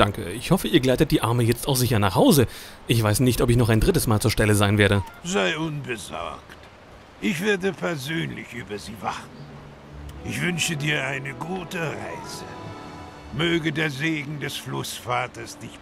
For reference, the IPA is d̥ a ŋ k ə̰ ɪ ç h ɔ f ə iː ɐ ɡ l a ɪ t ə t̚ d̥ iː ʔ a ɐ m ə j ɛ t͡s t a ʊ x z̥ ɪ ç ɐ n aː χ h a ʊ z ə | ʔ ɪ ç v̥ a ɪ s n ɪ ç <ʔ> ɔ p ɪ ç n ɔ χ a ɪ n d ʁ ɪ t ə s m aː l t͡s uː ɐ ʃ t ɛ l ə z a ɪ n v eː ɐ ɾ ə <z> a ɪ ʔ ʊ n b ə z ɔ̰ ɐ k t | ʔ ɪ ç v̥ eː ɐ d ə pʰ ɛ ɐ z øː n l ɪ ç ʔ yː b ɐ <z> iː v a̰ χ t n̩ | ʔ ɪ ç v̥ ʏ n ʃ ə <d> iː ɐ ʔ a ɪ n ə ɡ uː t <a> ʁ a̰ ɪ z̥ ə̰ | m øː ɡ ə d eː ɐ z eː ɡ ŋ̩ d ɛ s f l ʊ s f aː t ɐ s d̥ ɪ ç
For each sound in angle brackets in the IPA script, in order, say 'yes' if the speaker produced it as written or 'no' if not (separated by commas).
no, yes, yes, yes, no